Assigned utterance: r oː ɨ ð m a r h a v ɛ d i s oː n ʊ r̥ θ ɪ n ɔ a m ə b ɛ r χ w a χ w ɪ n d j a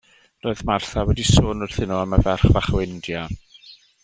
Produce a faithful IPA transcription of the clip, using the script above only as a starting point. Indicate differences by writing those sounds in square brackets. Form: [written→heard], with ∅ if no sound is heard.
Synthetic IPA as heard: r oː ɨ ð m a r [h→θ] a [v→w] ɛ d i s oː n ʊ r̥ θ ɪ n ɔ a m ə [b→v] ɛ r χ [w→v] a χ w ɪ n d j a